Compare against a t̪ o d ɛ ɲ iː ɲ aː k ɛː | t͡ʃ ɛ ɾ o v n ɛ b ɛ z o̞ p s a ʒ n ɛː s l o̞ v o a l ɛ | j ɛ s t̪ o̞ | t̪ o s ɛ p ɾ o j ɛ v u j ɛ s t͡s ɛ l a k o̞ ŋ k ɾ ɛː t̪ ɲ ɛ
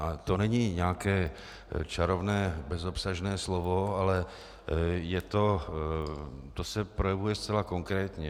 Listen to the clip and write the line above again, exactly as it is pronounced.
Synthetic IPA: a t̪ o n ɛ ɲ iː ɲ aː k ɛː | t͡ʃ a ɾ o v n ɛː b ɛ z o̞ p s a ʒ n ɛː s l o̞ v o a l ɛ | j ɛ t̪ o̞ | t̪ o s ɛ p ɾ o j ɛ v u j ɛ s t͡s ɛ l a k o̞ ŋ k ɾ ɛː t̪ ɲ ɛ